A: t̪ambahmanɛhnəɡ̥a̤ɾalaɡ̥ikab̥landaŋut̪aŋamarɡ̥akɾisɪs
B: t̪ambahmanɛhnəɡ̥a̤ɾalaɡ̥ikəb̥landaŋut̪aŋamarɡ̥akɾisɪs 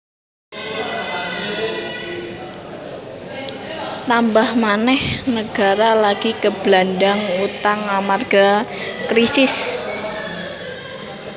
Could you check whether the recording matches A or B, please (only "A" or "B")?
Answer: B